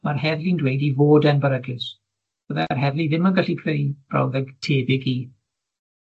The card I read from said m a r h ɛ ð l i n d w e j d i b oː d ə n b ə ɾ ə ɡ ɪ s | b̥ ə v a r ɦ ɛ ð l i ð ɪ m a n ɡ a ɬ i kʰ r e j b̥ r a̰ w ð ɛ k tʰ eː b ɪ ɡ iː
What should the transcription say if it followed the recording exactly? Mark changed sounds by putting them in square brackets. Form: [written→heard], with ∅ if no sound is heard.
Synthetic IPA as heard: m a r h ɛ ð l i n d w e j d i [b→v] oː d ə n b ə ɾ ə ɡ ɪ s | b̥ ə [v→ð] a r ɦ ɛ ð l i ð ɪ m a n ɡ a ɬ i [kʰ→pʰ] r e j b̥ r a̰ w ð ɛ [k→ɡ] tʰ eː b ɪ ɡ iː